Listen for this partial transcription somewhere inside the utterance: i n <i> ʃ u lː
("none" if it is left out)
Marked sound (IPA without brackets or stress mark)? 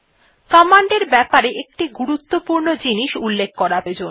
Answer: i